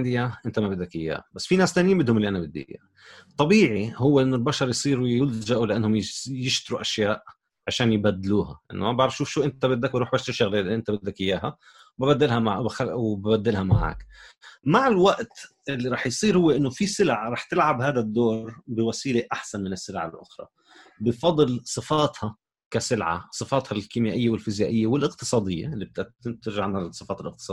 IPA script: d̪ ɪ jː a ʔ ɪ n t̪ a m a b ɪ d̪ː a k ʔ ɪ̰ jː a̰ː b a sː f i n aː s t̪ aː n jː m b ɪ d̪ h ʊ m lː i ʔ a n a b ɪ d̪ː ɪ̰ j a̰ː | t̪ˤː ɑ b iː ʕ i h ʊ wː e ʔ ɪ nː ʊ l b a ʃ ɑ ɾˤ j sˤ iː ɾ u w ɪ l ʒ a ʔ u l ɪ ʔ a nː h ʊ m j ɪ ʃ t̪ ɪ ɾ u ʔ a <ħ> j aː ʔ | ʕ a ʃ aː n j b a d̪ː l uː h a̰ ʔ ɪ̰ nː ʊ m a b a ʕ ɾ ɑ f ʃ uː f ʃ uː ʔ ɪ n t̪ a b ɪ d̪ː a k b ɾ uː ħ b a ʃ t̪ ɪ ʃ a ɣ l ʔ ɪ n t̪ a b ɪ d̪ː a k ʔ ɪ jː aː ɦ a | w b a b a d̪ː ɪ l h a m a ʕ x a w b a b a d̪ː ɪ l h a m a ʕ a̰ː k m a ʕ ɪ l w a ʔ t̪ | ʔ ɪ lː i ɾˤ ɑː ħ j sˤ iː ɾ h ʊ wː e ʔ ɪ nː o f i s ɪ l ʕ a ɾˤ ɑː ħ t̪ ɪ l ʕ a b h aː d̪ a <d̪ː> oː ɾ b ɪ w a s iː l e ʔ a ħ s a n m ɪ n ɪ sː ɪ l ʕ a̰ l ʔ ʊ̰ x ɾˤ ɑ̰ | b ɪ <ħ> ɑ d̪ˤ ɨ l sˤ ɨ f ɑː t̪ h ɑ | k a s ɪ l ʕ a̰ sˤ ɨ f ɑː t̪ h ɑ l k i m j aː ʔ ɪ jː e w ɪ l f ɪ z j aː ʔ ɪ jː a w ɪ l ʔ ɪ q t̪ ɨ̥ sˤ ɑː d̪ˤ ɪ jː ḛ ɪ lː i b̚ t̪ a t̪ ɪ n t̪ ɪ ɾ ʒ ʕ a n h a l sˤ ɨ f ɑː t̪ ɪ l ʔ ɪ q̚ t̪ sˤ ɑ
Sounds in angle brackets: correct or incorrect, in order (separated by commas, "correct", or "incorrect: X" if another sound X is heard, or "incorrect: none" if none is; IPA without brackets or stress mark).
incorrect: ʃ, correct, incorrect: f